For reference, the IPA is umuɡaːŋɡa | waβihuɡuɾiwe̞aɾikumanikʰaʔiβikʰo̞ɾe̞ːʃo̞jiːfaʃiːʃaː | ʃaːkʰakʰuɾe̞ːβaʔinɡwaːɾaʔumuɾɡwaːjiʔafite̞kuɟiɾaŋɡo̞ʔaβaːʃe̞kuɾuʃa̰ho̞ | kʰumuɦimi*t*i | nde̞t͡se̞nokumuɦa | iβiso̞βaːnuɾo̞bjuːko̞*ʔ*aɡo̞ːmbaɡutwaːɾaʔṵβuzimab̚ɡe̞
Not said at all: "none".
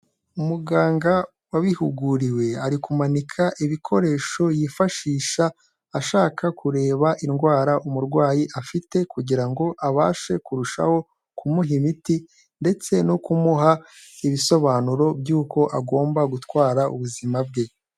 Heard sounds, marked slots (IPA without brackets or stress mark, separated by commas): t, ʔ